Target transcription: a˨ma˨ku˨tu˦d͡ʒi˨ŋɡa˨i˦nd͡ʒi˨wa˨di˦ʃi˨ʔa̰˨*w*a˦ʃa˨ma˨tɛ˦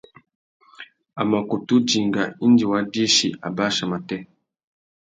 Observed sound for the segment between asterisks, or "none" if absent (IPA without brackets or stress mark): b